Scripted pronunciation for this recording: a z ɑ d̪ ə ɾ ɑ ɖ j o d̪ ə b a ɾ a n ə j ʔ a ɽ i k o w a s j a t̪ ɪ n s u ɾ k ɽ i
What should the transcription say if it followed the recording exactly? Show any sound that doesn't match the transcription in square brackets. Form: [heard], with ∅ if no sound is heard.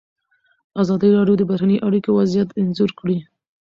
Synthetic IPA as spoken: a z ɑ d̪ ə ɾ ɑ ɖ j o d̪ ə b a ɾ a n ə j ʔ a ɽ i k o w a [z] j a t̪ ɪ n [z] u ɾ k ɽ i